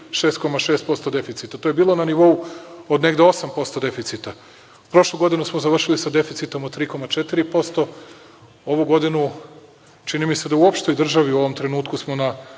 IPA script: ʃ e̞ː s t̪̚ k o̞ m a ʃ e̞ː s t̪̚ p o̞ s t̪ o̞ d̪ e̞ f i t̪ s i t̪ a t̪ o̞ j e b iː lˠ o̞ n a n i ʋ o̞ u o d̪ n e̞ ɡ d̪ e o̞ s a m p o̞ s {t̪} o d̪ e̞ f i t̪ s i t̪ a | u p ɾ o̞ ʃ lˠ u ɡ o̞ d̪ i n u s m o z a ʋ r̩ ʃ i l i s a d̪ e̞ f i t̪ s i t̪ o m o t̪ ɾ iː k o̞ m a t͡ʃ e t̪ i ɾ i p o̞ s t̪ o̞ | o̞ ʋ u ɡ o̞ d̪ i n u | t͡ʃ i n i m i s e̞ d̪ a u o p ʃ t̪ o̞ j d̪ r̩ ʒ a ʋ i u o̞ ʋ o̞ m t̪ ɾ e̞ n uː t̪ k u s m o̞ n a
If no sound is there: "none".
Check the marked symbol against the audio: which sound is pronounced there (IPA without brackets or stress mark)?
t̪